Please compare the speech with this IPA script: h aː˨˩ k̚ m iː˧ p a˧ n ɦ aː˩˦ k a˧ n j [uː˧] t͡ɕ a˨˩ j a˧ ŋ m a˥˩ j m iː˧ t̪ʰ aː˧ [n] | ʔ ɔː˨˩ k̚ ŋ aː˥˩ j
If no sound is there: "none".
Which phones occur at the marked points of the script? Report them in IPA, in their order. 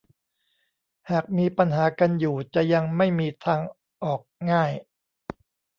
uː˨˩, ŋ

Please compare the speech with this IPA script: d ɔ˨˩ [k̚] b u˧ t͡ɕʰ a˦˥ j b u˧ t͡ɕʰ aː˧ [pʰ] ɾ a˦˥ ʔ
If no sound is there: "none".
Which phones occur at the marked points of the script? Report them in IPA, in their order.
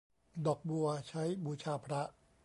k̚, pʰ

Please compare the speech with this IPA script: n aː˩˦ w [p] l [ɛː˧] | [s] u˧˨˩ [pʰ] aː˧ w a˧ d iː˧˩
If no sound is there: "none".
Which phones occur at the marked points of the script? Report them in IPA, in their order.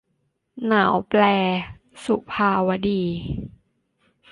p, ɛː˧, s, pʰ

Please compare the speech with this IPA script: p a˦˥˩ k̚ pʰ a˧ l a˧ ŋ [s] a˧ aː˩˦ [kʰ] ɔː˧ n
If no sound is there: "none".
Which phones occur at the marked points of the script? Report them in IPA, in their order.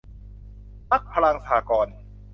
s, k

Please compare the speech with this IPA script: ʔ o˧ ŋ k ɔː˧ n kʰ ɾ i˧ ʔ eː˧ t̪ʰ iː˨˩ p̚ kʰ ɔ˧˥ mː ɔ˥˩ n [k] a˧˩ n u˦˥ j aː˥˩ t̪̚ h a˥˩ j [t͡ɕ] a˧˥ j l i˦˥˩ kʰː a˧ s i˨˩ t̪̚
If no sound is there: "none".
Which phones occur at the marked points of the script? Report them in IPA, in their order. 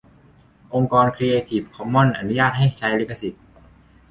ʔ, t͡ɕʰ

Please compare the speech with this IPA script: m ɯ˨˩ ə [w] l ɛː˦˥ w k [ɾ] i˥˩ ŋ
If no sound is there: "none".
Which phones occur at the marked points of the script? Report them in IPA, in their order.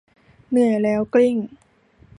none, l

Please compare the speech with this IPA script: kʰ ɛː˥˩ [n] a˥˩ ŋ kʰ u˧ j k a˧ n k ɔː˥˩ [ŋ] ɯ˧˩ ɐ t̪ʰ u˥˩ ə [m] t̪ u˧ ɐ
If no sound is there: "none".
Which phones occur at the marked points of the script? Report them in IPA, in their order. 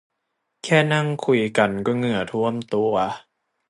n, ŋ, m

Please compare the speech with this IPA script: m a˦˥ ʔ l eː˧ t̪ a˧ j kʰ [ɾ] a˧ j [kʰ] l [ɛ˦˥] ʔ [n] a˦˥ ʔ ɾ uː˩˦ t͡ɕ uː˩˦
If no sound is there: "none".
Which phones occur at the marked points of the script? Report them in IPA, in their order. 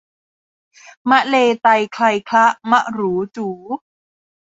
l, kʰ, a˦˥, m

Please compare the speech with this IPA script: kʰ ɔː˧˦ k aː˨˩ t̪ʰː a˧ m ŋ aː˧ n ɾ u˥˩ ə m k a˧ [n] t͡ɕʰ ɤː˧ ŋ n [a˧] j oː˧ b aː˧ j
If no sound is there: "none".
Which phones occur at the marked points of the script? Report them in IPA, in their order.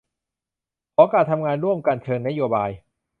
n, a˦˥

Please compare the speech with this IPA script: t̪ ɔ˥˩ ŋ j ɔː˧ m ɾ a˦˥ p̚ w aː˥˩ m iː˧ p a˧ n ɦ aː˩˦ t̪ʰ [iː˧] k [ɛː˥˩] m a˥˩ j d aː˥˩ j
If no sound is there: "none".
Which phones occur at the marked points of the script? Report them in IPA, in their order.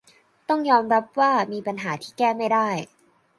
iː˥˩, ɛː˥˩

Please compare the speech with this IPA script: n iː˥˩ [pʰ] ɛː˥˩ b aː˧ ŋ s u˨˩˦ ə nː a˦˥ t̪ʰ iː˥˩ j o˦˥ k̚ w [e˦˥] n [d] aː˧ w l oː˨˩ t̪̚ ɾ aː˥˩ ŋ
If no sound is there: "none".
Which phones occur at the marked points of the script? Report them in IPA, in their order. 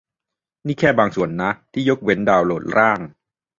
kʰ, e˦˥, d

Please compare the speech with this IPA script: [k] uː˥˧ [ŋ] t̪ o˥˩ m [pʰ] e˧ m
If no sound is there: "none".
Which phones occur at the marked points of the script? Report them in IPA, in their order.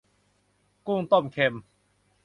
k, ŋ, kʰ

